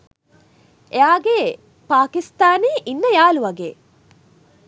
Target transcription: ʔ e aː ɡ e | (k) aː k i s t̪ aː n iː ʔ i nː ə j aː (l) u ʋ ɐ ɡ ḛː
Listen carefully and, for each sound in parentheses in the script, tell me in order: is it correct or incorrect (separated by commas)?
incorrect, correct